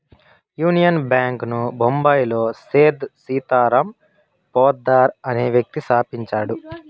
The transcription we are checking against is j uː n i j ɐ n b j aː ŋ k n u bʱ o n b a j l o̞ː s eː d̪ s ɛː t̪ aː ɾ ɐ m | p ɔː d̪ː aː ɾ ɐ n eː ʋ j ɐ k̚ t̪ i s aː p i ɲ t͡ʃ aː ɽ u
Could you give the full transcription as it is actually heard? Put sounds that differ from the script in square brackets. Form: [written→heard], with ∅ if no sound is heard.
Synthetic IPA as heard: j uː n i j ɐ n b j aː ŋ k n u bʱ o [n→m] b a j l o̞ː s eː d̪ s [ɛː→iː] t̪ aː ɾ ɐ m | p ɔː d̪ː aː ɾ ɐ n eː ʋ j ɐ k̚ t̪ i s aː p i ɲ t͡ʃ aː ɽ u